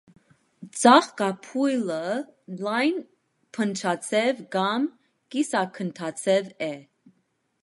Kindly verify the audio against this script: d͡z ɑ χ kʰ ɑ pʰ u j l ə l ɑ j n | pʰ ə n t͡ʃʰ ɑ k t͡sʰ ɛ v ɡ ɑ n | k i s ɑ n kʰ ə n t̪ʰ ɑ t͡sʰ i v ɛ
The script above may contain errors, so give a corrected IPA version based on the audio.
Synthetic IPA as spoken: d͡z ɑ χ k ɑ pʰ u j l ə l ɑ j n | pʰ ə n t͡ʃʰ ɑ t͡sʰ ɛ v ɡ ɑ m | k i s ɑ kʰ ə n t̪ʰ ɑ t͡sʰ ɛ v ɛ